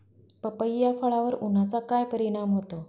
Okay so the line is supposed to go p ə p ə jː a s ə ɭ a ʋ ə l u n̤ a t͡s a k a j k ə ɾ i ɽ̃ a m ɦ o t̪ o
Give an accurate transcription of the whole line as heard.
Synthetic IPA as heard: p ə p ə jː a f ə ɭ a ʋ ə ɾ u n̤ a t͡s a k a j p ə ɾ i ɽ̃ a m ɦ o t̪ o